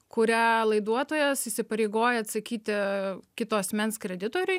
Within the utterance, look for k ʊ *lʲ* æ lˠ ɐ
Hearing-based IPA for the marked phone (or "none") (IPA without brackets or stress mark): ɾʲ